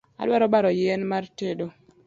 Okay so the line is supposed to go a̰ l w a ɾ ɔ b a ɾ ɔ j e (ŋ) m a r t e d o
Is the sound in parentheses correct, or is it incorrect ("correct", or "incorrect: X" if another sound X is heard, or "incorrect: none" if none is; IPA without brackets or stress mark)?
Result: incorrect: n